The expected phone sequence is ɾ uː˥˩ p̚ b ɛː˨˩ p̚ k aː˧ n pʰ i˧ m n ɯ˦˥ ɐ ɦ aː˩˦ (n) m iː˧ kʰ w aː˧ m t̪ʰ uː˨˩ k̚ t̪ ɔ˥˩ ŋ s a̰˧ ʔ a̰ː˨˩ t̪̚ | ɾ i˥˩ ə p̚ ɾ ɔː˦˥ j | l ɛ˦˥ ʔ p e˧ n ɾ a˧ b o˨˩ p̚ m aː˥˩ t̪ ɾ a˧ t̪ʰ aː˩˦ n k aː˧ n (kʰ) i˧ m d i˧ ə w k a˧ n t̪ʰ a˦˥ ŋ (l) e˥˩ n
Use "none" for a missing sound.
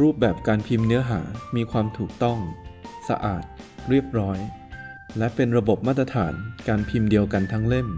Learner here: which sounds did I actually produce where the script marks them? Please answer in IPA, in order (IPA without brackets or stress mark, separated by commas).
none, pʰ, l